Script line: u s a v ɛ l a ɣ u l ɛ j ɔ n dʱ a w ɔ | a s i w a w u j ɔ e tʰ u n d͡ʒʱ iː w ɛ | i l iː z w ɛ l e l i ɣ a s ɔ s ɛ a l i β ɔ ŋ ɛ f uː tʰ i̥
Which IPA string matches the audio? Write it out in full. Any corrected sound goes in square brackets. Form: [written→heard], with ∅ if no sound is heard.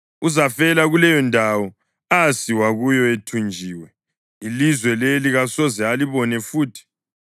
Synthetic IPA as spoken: u [s→z] a [v→f] ɛ l a ɣ u l ɛ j ɔ n dʱ a w ɔ | a s i w a [w→ɣ] u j ɔ e tʰ u n d͡ʒʱ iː w ɛ | i l [iː→i] z w ɛ l e l i ɣ a s ɔ [s→z] ɛ a l i β ɔ [ŋ→n] ɛ f uː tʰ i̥